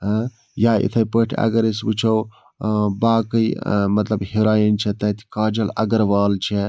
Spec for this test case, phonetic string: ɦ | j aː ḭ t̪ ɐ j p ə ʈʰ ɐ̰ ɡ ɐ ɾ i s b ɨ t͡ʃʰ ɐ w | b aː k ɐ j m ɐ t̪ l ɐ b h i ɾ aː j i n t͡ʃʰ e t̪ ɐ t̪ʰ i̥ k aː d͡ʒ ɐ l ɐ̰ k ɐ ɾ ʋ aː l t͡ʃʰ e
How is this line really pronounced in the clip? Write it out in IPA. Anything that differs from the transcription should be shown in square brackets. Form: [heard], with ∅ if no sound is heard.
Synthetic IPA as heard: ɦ | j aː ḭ [t̪ʰ] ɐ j p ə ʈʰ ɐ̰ ɡ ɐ ɾ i s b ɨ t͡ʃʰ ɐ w | b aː k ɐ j m ɐ t̪ l ɐ b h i ɾ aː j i n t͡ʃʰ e t̪ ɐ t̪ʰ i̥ k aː d͡ʒ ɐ l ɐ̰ [ɡ] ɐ ɾ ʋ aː l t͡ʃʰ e